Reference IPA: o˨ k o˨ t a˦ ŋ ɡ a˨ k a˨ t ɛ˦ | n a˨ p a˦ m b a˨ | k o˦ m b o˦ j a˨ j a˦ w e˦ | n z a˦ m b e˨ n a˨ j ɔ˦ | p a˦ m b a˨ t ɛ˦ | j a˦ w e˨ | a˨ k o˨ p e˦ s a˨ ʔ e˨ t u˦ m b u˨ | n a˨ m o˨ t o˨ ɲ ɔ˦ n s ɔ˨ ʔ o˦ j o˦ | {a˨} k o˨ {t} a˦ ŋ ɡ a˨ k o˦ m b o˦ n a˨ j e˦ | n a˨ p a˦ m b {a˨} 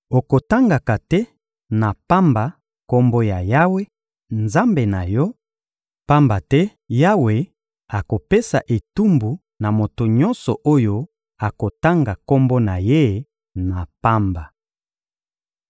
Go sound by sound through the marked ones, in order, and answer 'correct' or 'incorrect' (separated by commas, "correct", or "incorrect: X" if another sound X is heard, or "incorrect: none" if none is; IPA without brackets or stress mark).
correct, correct, correct